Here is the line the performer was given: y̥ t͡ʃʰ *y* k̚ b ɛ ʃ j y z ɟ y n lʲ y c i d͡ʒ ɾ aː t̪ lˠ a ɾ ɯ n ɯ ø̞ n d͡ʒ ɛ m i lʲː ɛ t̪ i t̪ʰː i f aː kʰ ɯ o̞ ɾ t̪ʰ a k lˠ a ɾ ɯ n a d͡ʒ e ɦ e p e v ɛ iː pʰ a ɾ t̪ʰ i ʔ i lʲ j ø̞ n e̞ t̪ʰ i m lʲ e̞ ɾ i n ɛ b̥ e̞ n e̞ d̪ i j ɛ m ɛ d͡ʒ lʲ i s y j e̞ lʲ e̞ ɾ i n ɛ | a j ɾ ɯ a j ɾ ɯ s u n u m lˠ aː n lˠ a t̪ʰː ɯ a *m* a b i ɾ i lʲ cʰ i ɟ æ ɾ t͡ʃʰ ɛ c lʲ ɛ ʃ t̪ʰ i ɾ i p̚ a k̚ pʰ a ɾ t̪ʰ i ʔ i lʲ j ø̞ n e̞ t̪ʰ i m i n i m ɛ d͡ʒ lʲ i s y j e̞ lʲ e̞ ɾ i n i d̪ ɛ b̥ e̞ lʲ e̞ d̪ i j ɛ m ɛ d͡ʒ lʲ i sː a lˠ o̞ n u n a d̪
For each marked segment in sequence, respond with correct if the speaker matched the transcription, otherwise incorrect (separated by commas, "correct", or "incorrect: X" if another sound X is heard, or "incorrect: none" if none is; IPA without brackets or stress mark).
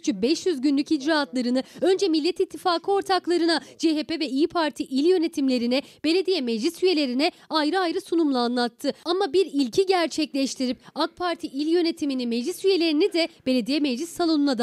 correct, correct